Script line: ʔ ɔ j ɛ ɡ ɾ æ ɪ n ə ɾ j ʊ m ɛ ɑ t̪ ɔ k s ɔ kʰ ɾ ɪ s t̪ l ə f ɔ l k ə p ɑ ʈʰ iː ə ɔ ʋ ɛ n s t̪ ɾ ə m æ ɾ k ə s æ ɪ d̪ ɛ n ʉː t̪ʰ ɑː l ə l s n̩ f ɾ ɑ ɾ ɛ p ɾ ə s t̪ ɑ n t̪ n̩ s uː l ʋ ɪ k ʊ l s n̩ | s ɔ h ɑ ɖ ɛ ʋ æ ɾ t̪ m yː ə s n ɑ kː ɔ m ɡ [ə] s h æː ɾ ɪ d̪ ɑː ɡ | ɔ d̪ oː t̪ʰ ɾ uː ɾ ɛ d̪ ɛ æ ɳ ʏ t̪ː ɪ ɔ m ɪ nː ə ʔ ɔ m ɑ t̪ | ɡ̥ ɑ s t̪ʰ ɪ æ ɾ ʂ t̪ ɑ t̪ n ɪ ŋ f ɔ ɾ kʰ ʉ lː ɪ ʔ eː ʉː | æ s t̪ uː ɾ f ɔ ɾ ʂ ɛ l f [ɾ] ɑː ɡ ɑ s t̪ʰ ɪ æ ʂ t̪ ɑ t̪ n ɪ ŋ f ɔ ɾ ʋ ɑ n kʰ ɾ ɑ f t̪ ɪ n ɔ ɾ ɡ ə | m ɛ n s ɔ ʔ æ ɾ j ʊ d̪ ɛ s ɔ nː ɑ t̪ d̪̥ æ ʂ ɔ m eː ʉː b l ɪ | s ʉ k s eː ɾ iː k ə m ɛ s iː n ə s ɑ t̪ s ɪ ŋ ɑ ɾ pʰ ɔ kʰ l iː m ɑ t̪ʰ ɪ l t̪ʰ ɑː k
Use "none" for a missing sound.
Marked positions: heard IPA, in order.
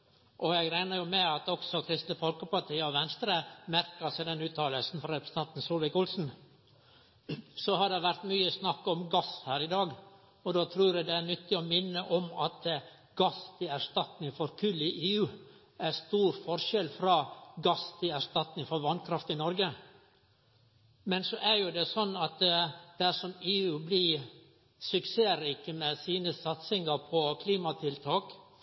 ɑ, ɾ

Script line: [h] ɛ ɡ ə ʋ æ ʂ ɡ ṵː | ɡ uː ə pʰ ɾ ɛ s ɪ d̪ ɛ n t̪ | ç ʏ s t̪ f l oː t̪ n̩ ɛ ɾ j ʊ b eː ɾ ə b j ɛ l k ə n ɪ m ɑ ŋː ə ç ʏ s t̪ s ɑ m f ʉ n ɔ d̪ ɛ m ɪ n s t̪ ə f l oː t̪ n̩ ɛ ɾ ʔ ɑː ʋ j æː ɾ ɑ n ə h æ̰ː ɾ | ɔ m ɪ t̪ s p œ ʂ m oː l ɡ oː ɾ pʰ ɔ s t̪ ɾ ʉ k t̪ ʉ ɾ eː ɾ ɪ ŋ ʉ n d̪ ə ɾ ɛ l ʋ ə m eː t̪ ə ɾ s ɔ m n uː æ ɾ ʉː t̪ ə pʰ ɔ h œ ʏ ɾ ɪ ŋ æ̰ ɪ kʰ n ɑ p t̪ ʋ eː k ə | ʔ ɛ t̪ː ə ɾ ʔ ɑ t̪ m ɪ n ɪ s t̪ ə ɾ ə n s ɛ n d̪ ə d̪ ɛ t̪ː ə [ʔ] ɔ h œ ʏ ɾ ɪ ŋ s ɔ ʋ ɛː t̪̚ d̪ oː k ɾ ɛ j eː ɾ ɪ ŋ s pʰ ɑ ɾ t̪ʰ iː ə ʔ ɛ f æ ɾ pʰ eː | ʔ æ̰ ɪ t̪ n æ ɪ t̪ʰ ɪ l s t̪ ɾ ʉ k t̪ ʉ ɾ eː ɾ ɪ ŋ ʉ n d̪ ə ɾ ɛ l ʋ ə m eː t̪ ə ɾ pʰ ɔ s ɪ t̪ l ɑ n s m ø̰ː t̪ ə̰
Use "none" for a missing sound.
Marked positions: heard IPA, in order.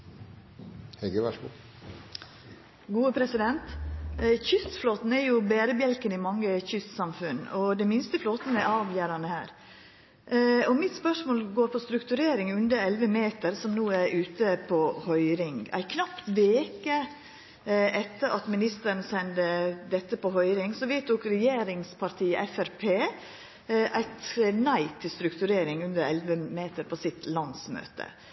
h, p

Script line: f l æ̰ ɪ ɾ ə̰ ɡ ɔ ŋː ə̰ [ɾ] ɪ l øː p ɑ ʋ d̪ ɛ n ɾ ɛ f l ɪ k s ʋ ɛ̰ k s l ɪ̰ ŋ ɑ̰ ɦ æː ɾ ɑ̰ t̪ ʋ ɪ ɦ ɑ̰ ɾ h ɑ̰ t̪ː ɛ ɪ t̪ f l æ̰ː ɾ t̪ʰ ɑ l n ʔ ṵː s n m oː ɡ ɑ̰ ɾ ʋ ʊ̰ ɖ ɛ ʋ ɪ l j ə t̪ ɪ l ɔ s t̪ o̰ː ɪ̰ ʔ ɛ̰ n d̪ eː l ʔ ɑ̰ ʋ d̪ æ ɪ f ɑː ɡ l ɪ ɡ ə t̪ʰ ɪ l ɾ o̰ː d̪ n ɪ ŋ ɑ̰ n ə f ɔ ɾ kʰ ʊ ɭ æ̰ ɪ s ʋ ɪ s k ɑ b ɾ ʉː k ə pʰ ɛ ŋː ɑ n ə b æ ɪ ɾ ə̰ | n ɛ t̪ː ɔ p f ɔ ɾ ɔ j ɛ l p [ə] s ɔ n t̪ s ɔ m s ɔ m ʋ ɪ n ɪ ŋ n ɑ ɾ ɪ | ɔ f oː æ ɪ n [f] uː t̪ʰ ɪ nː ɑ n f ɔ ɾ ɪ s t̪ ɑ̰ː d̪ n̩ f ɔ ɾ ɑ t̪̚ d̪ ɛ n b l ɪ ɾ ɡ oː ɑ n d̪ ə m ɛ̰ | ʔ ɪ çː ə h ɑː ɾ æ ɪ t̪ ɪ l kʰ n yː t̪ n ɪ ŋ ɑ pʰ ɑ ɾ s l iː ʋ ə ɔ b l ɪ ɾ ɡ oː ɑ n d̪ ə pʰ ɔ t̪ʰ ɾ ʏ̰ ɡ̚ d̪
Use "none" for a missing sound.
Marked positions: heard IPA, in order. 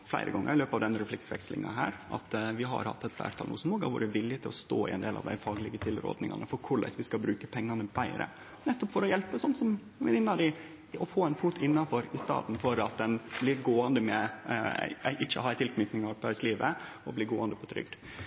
ɾ, ə, f

